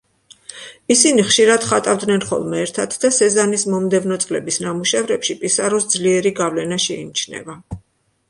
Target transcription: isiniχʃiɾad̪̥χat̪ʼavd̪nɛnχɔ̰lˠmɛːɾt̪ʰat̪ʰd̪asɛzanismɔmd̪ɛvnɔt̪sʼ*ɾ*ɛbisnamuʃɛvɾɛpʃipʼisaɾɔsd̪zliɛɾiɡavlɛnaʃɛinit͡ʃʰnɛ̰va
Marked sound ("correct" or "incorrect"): incorrect